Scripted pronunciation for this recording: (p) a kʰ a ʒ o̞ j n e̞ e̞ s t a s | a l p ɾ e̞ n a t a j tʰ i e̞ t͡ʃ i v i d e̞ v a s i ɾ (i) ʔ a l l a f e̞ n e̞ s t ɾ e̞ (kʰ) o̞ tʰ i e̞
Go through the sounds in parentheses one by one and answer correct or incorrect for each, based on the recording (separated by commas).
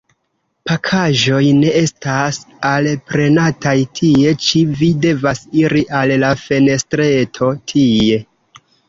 correct, correct, incorrect